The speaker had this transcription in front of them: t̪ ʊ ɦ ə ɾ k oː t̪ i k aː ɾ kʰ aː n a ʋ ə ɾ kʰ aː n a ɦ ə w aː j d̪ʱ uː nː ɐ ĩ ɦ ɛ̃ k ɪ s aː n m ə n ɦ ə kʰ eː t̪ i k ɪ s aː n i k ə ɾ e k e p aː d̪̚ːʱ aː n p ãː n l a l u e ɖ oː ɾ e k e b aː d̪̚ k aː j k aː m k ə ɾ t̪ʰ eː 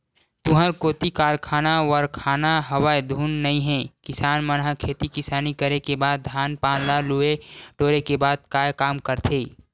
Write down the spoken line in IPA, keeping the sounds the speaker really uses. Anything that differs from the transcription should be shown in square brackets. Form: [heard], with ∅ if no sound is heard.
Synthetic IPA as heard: t̪ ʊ ɦ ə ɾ k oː t̪ i k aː ɾ kʰ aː n a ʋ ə ɾ kʰ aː n a ɦ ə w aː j d̪ʱ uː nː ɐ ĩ ɦ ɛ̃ k ɪ s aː n m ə n ɦ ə kʰ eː t̪ i k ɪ s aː n i k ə ɾ e k e [b] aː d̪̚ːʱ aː n p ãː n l a l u e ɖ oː ɾ e k e b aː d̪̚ k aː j k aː m k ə ɾ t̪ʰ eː